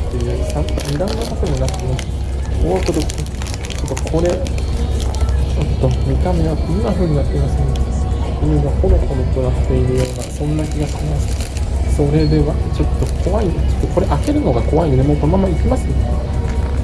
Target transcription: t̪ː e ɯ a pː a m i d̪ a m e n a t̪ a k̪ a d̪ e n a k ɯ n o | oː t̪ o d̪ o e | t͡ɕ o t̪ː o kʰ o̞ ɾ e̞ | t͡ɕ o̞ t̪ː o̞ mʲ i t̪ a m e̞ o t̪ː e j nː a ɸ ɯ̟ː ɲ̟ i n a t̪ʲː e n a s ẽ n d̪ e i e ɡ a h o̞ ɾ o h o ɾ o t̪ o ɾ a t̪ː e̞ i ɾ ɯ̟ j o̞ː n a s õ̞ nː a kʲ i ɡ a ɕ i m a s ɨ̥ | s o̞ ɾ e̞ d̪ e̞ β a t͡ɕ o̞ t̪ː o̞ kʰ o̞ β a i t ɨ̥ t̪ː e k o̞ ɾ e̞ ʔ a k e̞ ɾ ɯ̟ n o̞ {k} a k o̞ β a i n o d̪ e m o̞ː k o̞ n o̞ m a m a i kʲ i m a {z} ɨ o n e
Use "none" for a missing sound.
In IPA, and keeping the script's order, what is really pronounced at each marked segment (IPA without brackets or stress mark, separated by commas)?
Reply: ɡ, s